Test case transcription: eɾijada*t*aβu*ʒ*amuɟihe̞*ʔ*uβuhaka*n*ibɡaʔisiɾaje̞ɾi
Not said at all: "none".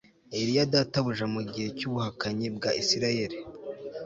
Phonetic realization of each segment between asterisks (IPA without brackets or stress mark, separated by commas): t, ʒ, c, ɲ